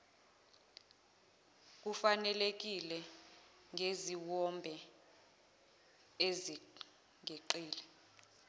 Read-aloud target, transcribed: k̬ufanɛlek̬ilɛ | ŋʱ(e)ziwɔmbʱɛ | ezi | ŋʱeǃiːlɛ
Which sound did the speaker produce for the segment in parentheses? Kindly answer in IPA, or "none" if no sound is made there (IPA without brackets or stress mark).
e